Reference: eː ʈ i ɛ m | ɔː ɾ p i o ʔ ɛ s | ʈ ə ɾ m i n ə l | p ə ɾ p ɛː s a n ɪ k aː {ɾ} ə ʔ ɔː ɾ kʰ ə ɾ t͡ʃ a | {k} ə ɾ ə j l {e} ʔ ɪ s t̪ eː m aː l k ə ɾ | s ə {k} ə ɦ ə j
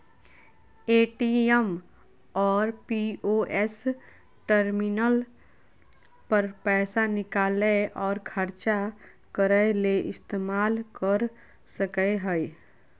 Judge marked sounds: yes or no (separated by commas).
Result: no, yes, yes, yes